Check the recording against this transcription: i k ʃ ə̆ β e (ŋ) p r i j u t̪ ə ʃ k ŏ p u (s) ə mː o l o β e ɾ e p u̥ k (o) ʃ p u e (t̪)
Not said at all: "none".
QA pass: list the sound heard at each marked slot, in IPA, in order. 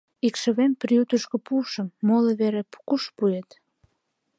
m, ʃ, u, t̪

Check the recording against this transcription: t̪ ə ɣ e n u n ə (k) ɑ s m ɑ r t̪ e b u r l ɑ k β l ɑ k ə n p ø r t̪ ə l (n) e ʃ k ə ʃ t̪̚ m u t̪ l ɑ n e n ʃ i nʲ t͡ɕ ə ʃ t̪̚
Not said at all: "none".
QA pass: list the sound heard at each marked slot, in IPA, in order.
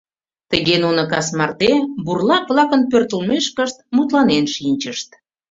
k, m

